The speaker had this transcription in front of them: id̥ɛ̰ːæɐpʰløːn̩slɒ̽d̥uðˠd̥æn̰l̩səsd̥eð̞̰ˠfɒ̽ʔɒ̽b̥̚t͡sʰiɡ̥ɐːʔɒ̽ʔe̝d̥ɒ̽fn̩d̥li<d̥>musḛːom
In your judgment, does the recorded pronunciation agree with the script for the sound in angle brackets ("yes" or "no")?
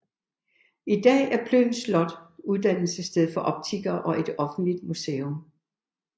yes